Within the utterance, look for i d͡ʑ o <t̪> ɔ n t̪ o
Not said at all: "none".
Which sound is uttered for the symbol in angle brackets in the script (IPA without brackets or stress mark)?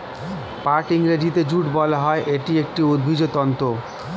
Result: t̪